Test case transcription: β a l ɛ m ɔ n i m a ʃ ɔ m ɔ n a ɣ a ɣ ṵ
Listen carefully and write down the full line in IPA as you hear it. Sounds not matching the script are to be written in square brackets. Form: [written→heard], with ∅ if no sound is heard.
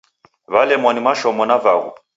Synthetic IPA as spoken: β a l ɛ m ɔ n i m a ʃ ɔ m ɔ n a [ɣ→v] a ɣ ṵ